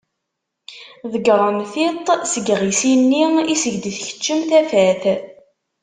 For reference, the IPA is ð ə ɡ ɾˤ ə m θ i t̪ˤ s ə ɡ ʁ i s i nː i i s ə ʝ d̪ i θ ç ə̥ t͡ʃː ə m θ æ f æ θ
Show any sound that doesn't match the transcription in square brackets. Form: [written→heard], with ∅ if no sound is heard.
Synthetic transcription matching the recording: ð ə ɡ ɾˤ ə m θ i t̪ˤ s ə ɡ ʁ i s i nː i i s ə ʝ d̪ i θ ç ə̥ t͡ʃː ə m θ æ f æ θ